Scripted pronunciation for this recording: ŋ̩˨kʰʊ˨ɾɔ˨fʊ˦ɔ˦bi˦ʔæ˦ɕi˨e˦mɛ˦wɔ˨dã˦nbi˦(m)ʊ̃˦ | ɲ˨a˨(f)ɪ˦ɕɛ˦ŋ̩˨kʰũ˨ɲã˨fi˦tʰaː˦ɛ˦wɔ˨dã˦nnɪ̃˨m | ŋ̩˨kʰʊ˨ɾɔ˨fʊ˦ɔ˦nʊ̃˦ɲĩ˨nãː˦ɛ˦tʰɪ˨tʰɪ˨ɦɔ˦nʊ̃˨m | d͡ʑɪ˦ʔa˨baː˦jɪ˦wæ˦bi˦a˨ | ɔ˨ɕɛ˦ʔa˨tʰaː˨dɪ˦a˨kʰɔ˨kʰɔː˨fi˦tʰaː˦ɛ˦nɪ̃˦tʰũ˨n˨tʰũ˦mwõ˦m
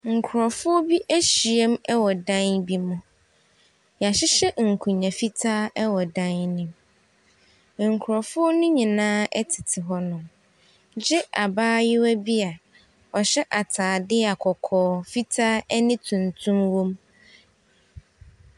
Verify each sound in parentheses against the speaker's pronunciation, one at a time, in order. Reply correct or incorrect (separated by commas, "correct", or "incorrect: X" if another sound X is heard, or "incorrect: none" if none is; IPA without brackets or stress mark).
correct, incorrect: ɕ